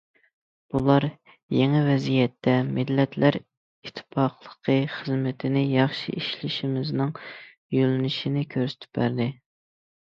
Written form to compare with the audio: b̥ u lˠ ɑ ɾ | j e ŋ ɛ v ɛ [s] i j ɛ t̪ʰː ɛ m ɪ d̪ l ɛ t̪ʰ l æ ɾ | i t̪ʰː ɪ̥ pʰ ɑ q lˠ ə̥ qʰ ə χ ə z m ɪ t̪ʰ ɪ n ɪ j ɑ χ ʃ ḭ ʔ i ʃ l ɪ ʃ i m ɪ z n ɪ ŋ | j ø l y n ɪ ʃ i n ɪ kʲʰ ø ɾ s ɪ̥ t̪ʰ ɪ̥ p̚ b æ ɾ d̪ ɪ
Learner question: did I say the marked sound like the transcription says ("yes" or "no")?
no